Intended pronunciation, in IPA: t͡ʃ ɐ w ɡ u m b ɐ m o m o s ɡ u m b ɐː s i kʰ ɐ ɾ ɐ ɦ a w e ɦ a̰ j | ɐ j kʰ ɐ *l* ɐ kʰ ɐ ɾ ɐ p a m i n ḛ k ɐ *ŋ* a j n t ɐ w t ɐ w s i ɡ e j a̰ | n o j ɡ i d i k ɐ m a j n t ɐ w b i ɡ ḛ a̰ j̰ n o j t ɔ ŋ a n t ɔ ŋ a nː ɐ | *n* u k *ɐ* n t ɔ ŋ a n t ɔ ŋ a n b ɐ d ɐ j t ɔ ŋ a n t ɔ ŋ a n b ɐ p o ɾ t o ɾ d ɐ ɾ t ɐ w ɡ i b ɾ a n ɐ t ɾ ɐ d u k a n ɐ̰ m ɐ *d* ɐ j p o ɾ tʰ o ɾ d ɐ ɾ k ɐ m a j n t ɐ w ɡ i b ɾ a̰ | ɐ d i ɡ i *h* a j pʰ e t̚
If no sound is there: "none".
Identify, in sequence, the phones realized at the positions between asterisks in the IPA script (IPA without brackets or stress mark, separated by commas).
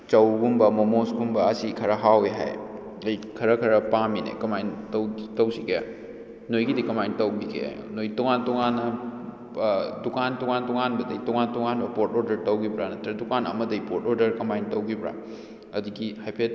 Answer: ɾ, m, d, a, d, h